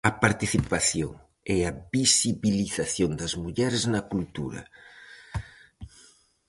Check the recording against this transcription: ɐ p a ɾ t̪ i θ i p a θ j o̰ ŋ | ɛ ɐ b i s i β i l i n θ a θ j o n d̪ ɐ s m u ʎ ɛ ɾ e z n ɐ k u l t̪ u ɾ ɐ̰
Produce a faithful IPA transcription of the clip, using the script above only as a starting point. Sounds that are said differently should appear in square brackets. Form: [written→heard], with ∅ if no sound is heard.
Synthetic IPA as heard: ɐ p a ɾ t̪ i θ i p a θ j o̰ ŋ | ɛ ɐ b i s i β i l i [n→∅] θ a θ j o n d̪ ɐ [s→z] m u ʎ ɛ ɾ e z n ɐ k u l t̪ u ɾ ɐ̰